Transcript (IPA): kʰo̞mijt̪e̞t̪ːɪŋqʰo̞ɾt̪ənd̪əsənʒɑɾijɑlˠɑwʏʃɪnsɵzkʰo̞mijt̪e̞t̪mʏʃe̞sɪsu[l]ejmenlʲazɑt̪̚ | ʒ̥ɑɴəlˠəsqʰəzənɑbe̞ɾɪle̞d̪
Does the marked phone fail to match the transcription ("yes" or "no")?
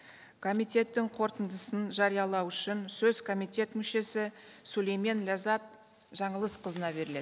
no